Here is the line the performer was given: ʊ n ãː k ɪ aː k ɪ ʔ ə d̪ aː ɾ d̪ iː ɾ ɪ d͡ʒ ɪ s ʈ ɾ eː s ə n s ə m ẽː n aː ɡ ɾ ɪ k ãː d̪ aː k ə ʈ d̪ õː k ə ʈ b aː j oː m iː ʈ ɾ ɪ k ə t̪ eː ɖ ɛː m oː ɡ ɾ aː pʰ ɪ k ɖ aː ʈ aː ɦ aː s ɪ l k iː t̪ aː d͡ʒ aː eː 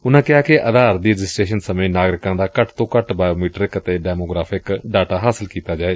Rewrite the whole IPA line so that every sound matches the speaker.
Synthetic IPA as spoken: ʊ n ãː k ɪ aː k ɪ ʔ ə d̪ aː ɾ d̪ iː ɾ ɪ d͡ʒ ɪ s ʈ ɾ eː ʃ ə n s ə m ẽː n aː ɡ ɾ ɪ k ãː d̪ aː k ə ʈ t̪ õː k ə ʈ b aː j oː m iː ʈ ɾ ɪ k ə t̪ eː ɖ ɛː m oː ɡ ɾ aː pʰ ɪ k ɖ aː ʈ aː ɦ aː s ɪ l k iː t̪ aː d͡ʒ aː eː